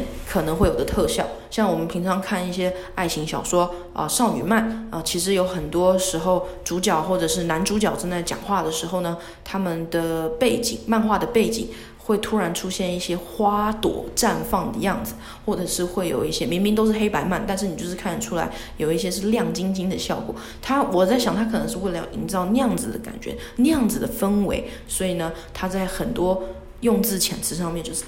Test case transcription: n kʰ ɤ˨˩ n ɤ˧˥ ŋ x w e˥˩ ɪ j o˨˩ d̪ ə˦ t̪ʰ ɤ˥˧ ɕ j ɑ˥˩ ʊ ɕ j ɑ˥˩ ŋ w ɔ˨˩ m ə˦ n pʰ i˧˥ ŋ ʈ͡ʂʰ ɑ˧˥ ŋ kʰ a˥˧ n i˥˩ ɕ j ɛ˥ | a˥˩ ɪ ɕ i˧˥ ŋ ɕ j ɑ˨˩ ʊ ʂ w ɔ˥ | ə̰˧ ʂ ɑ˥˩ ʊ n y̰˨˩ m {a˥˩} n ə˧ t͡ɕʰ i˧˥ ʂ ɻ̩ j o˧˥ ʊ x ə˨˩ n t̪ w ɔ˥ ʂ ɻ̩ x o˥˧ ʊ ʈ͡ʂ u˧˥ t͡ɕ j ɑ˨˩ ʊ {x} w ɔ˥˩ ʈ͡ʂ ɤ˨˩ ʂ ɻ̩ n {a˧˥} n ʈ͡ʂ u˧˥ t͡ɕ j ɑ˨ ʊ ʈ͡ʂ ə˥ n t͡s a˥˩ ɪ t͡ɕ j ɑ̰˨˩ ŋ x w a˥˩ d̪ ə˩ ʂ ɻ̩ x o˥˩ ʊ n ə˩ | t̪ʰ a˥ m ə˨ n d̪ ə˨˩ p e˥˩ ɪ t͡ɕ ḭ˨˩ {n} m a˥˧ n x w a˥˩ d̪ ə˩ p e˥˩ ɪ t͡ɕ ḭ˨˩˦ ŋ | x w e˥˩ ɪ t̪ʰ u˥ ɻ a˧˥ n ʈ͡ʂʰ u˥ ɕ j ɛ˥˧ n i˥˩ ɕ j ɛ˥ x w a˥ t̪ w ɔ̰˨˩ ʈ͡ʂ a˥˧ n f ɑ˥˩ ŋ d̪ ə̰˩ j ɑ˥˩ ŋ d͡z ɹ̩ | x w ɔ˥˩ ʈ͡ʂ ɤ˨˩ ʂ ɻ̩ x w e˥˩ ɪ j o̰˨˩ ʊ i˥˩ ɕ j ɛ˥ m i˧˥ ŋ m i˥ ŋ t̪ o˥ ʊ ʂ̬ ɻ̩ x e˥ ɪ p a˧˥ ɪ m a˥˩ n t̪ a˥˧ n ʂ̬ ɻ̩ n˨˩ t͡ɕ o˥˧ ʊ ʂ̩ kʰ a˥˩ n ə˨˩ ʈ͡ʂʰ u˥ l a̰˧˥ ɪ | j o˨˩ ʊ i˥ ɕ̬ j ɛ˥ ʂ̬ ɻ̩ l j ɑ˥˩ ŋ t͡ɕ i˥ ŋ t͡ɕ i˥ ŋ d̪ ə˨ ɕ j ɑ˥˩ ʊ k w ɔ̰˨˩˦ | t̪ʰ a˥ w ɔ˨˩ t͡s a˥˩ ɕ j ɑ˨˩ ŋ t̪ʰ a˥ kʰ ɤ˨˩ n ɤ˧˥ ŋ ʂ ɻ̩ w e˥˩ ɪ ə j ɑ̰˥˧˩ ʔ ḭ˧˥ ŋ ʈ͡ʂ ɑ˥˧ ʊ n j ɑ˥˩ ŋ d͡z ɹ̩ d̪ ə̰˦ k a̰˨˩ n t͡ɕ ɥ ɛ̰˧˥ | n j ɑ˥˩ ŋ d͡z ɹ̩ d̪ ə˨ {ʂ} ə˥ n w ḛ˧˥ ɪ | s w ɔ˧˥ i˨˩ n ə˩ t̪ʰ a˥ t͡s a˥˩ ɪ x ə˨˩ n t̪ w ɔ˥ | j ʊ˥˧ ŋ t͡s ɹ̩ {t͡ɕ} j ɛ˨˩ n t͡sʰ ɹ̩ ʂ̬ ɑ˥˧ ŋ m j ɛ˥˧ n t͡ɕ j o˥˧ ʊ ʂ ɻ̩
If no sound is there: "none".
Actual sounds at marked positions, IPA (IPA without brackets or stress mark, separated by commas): a˥˩, x, a˧˥, ŋ, f, t͡ɕʰ